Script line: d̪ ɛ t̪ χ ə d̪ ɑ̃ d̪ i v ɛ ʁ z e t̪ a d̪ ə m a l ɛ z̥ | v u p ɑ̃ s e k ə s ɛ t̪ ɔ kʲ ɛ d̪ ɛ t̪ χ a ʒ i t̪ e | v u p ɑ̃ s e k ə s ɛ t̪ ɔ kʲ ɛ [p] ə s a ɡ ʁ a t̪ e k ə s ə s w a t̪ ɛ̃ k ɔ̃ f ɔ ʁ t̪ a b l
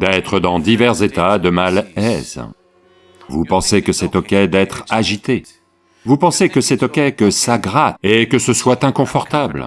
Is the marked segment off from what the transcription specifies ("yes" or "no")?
yes